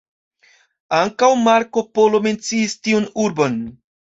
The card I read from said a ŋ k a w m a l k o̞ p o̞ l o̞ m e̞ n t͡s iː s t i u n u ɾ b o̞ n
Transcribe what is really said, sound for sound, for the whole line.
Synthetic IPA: a ŋ k a w m a ɾ k o̞ p o̞ l o̞ m e̞ n t͡s iː s t i u n u ɾ b o̞ n